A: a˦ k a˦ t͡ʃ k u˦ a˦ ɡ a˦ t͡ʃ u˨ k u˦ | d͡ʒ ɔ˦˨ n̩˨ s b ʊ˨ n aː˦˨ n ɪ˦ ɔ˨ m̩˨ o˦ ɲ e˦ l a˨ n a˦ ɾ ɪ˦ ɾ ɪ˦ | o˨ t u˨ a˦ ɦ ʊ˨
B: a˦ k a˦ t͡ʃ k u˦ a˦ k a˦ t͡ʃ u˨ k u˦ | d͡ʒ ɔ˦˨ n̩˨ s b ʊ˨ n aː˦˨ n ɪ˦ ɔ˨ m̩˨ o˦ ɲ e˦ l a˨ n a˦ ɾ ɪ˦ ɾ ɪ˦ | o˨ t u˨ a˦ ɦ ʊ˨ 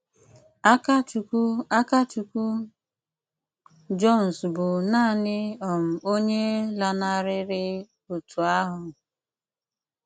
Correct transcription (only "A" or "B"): B